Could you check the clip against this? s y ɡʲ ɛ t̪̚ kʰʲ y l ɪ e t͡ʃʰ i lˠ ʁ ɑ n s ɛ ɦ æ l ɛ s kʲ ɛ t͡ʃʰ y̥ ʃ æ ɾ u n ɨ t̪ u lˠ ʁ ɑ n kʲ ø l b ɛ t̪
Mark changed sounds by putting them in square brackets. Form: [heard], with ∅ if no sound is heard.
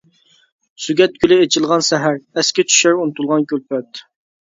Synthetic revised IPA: s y ɡʲ ɛ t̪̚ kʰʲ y l ɪ e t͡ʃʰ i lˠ ʁ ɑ n s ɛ ɦ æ [ɾ] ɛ s kʲ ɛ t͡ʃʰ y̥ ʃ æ ɾ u n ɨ t̪ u lˠ ʁ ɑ n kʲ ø l [p] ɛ t̪